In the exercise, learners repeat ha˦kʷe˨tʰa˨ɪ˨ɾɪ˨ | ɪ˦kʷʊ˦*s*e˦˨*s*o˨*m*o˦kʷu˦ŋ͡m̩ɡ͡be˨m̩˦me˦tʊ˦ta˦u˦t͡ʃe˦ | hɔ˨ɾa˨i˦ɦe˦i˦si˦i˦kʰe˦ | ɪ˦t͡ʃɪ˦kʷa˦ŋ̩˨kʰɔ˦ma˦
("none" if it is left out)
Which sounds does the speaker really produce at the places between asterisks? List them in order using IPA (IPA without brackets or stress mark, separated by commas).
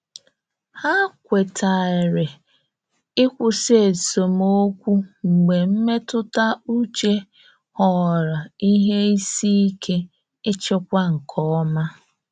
s, s, m